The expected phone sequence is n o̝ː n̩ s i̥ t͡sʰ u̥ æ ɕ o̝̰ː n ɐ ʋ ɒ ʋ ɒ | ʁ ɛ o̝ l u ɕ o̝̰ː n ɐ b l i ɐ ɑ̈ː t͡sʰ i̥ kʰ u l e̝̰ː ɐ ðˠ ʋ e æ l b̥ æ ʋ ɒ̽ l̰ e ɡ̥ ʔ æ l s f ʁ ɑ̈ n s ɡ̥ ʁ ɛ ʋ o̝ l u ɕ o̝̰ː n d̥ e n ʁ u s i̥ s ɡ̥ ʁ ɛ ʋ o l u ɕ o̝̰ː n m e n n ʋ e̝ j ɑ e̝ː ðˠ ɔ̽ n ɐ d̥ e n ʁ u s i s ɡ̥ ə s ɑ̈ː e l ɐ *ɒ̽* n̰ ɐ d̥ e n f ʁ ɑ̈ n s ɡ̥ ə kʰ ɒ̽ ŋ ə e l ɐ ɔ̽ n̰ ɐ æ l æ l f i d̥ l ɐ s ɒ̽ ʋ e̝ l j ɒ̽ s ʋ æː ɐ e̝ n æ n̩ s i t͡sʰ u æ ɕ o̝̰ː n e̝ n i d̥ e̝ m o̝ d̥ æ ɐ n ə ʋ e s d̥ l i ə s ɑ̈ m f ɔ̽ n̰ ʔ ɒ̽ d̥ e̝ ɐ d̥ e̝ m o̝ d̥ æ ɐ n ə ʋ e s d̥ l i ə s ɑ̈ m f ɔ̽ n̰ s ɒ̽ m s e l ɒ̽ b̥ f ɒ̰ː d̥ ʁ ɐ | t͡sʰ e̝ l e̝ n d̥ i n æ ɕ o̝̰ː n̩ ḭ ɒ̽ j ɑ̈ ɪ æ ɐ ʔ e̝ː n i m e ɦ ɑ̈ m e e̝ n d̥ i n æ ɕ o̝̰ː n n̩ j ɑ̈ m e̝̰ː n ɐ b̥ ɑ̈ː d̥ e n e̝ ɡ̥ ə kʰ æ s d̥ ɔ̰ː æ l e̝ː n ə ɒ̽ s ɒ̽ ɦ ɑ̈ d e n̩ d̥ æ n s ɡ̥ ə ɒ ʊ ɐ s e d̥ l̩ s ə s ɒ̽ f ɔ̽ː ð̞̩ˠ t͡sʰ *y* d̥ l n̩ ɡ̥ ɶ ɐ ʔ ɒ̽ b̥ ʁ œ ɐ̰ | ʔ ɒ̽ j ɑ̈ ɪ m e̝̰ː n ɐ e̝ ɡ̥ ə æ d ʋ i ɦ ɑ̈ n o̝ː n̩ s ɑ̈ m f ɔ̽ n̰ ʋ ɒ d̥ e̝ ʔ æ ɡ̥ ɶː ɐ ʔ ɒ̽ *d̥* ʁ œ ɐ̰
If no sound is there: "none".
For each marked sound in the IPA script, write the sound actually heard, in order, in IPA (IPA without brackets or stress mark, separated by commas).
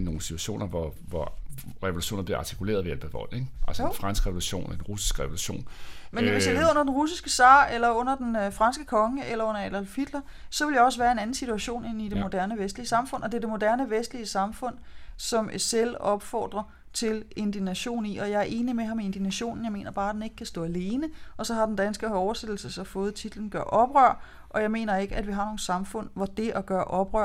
ɔ̽, i, b̥